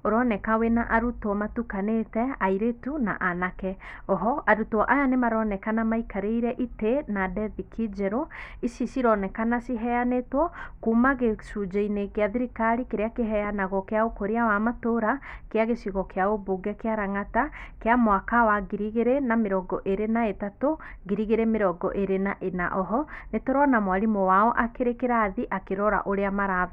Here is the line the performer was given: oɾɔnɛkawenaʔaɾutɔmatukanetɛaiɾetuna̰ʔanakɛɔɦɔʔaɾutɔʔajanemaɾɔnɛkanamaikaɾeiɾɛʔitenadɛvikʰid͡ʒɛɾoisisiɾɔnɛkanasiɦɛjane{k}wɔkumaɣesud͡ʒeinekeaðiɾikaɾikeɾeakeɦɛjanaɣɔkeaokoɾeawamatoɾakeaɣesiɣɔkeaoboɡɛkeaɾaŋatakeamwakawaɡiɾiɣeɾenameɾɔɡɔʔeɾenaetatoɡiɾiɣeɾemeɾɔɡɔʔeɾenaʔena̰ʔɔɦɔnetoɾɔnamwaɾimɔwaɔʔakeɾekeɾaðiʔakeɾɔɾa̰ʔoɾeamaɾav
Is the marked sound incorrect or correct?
incorrect: t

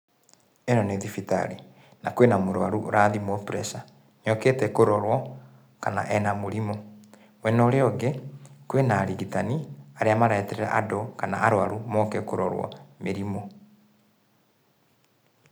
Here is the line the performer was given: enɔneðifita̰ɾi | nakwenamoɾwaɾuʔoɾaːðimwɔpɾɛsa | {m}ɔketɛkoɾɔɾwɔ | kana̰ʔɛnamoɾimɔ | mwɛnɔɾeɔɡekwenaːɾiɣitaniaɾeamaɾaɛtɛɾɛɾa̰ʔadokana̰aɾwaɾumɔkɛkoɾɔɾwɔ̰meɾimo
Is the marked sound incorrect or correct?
incorrect: ɲ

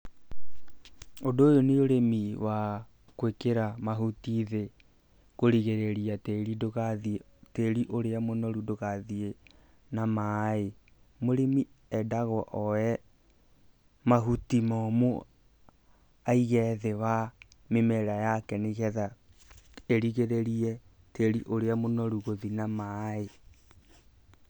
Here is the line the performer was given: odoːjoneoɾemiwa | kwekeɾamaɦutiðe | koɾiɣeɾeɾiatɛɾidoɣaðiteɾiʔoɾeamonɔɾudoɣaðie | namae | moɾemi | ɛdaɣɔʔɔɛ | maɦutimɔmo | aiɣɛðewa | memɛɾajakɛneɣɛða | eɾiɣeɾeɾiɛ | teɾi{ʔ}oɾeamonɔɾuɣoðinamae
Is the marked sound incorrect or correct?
correct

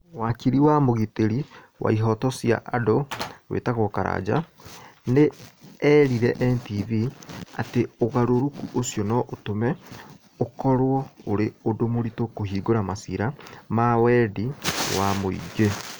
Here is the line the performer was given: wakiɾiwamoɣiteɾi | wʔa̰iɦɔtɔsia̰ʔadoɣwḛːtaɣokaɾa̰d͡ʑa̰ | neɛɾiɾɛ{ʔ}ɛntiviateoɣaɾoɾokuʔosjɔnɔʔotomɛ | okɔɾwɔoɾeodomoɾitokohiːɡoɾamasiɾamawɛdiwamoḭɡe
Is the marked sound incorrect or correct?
correct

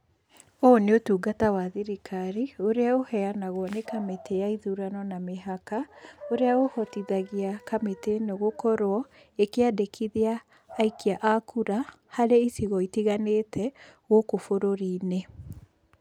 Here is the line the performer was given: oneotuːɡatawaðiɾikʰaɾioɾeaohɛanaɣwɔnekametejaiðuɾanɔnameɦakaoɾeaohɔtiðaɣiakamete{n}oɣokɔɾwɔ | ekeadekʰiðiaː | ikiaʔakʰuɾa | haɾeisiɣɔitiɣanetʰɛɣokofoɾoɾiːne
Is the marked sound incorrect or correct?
correct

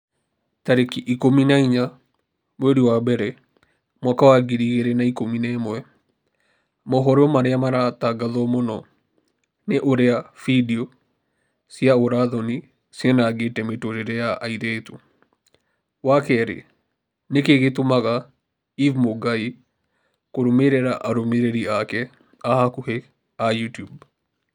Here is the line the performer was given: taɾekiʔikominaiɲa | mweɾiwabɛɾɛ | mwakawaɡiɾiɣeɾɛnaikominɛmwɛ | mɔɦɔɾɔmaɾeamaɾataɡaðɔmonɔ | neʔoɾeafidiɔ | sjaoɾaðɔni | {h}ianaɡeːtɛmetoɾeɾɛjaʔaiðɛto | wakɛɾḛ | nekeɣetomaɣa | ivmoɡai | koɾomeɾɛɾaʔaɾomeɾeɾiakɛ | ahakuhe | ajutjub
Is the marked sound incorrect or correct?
incorrect: s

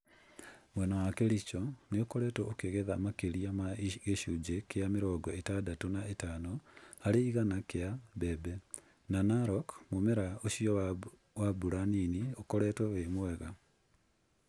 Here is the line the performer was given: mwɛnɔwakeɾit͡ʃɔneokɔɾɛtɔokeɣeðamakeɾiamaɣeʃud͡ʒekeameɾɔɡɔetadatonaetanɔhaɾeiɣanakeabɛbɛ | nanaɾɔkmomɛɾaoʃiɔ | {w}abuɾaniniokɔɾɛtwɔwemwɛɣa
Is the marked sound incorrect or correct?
correct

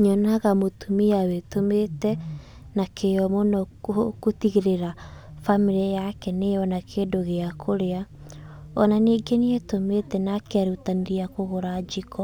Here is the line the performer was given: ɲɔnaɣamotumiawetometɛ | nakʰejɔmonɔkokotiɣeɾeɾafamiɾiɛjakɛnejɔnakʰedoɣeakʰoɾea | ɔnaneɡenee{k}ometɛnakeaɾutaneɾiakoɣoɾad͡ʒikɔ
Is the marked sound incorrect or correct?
incorrect: t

